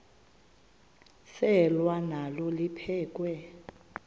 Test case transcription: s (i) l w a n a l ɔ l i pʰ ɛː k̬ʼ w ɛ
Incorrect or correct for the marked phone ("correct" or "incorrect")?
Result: incorrect